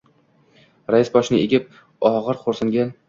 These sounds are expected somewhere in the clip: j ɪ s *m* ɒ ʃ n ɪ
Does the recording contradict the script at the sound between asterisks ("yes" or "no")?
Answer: yes